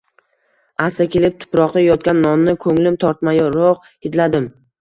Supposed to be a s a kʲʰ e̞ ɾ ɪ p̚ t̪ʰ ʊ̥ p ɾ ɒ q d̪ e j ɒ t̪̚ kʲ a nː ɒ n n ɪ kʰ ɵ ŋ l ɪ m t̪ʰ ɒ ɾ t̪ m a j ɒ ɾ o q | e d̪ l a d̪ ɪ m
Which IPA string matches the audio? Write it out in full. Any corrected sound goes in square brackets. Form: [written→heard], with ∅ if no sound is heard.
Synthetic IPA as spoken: a s a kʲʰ e̞ [ɾ→l] ɪ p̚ t̪ʰ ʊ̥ p ɾ ɒ q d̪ [e→a] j ɒ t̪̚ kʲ a nː ɒ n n ɪ kʰ ɵ ŋ l ɪ m t̪ʰ ɒ ɾ t̪ m a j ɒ ɾ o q | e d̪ l a d̪ ɪ m